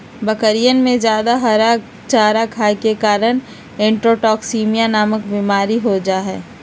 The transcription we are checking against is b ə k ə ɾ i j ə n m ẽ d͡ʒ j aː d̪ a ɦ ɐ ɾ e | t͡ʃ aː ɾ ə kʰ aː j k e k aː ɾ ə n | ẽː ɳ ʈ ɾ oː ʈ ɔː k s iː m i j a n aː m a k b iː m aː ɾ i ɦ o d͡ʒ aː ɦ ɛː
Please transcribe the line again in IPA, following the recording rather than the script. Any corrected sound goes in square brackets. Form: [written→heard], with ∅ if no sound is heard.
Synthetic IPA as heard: b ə k ə ɾ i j ə n m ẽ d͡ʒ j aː d̪ a ɦ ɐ ɾ [e→a] | t͡ʃ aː ɾ [ə→a] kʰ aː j k e k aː ɾ ə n | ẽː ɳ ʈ ɾ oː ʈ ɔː k s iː m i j a n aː m [a→ə] k b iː m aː ɾ i ɦ o d͡ʒ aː ɦ ɛː